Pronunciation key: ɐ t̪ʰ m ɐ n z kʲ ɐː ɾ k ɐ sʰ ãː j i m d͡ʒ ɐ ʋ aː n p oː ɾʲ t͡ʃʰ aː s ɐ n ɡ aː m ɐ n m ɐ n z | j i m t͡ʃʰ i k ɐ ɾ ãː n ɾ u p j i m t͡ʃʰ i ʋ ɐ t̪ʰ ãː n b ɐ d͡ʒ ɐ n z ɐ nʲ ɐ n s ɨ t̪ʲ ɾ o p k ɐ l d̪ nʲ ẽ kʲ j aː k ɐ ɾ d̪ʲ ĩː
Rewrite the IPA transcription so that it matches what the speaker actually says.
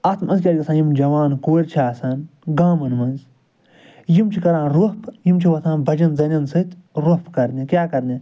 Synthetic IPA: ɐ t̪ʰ m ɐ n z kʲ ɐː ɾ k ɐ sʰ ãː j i m d͡ʒ ɐ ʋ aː n k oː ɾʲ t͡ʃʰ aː s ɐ n ɡ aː m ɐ n m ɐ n z | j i m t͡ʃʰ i k ɐ ɾ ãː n ɾ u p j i m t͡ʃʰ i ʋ ɐ t̪ʰ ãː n b ɐ d͡ʒ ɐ n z ɐ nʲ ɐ n s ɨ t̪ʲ ɾ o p k ɐ ɾ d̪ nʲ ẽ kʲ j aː k ɐ ɾ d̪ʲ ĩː

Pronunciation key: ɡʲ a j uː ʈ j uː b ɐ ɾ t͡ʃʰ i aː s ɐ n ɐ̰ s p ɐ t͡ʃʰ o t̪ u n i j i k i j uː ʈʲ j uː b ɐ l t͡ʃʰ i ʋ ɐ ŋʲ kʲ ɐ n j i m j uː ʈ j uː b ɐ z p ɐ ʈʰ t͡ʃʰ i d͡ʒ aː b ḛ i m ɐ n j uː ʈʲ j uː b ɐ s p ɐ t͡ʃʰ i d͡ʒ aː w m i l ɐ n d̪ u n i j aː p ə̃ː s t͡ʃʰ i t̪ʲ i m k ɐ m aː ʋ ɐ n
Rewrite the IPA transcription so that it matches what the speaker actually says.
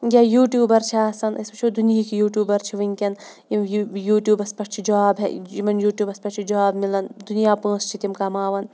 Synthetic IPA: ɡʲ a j uː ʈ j uː b ɐ ɾ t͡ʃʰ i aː s ɐ n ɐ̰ s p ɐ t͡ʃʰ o d̪ u n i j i k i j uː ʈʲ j uː b ɐ ɾ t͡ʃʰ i ʋ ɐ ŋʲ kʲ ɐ n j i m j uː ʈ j uː b ɐ s p ɐ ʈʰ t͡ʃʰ i d͡ʒ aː b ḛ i m ɐ n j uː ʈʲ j uː b ɐ s p ɐ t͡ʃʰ i d͡ʒ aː b m i l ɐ n d̪ u n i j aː p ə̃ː s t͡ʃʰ i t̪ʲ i m k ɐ m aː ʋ ɐ n

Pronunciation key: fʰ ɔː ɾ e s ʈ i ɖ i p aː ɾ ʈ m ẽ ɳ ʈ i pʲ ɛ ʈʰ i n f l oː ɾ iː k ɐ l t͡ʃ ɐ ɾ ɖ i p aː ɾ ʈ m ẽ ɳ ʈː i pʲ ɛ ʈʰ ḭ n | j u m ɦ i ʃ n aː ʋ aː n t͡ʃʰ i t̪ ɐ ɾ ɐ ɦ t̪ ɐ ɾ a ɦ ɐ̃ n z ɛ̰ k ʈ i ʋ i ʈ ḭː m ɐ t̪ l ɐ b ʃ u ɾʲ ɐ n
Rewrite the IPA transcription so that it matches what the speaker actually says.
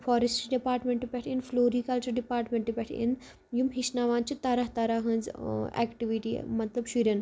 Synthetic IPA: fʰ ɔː ɾ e s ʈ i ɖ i p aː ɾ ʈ m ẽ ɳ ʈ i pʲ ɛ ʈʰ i n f l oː ɾ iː k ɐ l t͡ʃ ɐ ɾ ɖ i p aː ɾ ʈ m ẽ ɳ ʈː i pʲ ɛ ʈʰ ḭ n | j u m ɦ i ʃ n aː ʋ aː n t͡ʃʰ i t̪ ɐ ɾ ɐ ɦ t̪ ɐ ɾ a ɦ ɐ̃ n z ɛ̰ k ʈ i ʋ i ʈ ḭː m ɐ t̪ l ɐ b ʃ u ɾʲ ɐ n

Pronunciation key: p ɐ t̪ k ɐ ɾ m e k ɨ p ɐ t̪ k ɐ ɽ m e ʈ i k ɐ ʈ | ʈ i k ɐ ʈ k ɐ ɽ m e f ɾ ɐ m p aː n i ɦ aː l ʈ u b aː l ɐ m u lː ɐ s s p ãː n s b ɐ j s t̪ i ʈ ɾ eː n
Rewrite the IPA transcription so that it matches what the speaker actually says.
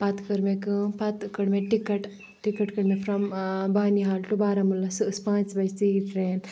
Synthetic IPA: p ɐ t̪ k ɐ ɾ m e k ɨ p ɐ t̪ k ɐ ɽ m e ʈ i k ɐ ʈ | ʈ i k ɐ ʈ k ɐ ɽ m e f ɾ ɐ m b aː n i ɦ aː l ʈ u b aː ɾ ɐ m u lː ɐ s s p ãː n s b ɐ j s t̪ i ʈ ɾ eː n

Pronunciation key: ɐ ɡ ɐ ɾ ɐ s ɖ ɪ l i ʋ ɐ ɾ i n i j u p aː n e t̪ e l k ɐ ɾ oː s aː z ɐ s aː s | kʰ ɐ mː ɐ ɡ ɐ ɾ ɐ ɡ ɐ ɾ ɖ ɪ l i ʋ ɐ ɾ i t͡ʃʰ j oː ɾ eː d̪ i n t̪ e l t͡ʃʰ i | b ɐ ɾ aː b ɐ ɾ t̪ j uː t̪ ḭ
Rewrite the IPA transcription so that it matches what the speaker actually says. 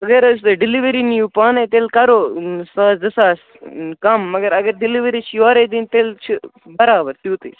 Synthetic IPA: ɐ ɡ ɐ ɾ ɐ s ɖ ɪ l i ʋ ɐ ɾ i n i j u p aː n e t̪ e l k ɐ ɾ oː s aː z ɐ s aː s | k ɐ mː ɐ ɡ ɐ ɾ ɐ ɡ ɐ ɾ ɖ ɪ l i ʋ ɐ ɾ i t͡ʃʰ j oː ɾ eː d̪ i n t̪ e l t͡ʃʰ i | b ɐ ɾ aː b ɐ ɾ t̪ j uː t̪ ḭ

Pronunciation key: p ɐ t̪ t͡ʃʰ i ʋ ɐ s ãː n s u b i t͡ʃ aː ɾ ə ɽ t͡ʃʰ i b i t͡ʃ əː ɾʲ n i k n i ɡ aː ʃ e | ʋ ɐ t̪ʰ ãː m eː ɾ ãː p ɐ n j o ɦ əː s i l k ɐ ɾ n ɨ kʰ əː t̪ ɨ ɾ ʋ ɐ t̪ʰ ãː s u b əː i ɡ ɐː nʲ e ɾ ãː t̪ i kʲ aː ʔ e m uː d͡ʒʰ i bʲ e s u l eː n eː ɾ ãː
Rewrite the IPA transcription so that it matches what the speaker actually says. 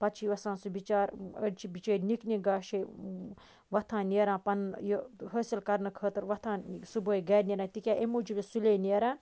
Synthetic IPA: p ɐ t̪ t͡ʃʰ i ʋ ɐ s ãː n s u b i t͡ʃ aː ɾ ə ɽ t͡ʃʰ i b i t͡ʃ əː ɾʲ n i k n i ɡ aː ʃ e | ʋ ɐ t̪ʰ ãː n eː ɾ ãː p ɐ n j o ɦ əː s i l k ɐ ɾ n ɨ kʰ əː t̪ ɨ ɾ ʋ ɐ t̪ʰ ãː s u b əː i ɡ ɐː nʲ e ɾ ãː t̪ i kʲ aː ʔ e m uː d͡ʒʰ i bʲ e s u l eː n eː ɾ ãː

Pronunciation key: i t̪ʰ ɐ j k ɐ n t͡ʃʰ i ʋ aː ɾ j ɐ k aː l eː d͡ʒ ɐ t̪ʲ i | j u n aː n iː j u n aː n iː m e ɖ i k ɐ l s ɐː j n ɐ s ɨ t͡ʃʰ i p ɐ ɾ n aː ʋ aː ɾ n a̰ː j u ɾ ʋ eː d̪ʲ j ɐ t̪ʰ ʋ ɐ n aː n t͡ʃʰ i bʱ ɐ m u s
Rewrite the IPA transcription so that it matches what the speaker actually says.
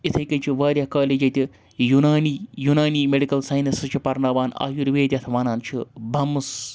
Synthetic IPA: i t̪ʰ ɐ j k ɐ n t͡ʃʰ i ʋ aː ɾ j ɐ k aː l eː d͡ʒ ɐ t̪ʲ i | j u n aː n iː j u n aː n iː m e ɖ i k ɐ l s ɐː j n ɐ s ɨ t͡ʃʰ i p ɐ ɾ n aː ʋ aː n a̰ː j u ɾ ʋ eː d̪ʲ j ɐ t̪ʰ ʋ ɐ n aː n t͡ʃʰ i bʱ ɐ m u s

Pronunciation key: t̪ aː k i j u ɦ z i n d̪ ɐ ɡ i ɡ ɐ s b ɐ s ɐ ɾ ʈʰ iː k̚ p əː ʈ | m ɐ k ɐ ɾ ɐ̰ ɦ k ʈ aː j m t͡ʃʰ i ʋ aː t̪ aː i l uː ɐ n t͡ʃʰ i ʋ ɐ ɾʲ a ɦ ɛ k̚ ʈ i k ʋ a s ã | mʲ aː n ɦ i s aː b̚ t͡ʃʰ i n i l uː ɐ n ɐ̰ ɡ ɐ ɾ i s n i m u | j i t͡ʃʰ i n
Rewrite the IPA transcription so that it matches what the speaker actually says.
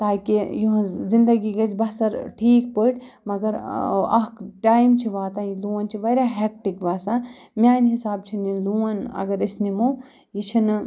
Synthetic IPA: t̪ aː k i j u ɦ z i n d̪ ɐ ɡ i ɡ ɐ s b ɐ s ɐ ɾ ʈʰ iː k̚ p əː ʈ | m ɐ ɡ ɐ ɾ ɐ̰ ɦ k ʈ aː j m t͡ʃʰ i ʋ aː t̪ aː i l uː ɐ n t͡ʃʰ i ʋ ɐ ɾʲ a ɦ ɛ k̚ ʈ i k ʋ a s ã | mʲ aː n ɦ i s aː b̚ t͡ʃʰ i n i l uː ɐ n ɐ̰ ɡ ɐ ɾ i s n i m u | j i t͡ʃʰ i n

